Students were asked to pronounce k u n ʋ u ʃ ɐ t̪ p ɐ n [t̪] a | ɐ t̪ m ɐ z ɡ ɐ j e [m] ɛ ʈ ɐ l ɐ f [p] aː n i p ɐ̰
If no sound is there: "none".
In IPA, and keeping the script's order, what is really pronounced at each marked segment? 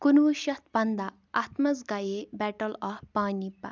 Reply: d̪, b, p

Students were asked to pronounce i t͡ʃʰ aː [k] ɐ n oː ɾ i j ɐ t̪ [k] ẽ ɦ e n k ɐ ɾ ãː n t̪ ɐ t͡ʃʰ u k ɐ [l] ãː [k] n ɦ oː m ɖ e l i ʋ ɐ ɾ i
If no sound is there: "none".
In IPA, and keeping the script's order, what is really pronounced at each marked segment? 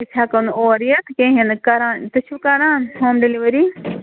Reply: k, k, ɾ, none

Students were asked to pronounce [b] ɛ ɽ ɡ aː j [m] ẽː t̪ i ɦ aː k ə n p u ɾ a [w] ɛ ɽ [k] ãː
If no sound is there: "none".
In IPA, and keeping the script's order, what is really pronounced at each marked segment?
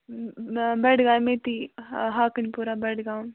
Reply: b, m, b, ɡ

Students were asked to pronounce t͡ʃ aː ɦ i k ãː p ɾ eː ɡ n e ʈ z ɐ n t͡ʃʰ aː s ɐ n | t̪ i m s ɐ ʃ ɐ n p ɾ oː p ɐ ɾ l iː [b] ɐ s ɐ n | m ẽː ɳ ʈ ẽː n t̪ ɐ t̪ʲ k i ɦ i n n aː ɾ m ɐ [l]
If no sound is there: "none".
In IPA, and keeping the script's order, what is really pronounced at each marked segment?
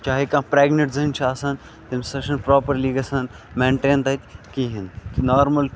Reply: ɡ, l

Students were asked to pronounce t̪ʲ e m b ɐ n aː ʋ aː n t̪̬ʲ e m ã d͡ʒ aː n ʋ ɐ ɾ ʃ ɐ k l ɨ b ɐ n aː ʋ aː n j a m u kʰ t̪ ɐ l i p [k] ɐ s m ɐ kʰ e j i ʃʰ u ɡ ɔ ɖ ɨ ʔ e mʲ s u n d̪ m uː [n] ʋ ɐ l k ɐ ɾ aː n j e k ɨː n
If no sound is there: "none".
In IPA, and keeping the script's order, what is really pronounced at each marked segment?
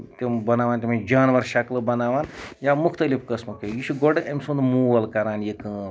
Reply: k, none

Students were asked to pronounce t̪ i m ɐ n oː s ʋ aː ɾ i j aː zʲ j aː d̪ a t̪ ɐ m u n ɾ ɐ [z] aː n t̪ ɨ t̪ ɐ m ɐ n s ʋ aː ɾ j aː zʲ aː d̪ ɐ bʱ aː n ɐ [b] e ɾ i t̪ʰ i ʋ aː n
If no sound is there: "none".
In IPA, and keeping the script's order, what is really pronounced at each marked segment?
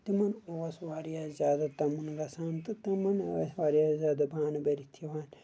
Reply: s, b

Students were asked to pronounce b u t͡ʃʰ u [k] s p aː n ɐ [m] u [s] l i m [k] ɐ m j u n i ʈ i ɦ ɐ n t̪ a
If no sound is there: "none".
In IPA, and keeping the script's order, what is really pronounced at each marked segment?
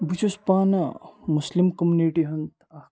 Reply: none, m, s, k

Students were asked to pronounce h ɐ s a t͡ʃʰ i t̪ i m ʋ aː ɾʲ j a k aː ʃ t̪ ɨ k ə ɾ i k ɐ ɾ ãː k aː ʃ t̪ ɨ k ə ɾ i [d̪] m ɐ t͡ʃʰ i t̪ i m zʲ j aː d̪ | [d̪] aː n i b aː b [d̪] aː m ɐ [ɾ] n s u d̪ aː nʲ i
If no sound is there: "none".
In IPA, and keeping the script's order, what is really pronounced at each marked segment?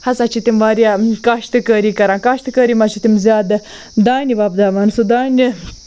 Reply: none, d̪, d̪, none

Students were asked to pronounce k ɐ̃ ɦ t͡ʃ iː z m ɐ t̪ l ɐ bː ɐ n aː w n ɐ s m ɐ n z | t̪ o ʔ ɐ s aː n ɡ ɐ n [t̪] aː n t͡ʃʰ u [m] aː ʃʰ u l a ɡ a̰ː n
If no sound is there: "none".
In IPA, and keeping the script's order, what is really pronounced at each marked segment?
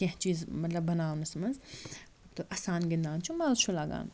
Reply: d̪, m

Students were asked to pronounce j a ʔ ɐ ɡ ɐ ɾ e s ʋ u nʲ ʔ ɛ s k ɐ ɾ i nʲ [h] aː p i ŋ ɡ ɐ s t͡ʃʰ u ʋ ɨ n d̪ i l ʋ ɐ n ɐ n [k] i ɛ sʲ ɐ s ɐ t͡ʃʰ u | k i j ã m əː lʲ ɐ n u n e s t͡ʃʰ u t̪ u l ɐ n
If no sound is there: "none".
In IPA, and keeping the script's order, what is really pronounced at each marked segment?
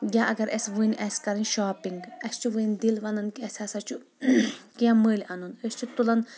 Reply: ʃ, k

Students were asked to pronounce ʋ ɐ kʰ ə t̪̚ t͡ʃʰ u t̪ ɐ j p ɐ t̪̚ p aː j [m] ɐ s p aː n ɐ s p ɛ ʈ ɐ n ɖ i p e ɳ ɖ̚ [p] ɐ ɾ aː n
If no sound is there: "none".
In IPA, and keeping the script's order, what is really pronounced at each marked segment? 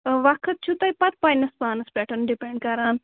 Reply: n, k

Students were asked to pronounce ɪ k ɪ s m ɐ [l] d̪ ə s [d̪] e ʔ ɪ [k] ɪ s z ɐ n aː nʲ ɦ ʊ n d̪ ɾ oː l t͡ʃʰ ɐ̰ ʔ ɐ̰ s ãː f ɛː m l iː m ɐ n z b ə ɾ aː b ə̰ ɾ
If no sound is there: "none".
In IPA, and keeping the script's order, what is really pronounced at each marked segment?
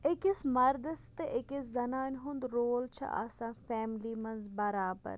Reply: ɾ, t̪, k

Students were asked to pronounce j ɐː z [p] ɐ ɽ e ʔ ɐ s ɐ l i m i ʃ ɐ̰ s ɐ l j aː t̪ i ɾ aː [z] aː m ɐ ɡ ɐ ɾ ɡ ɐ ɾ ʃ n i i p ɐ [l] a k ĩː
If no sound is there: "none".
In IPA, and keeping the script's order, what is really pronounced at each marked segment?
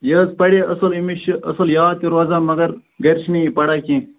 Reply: p, z, ɽ

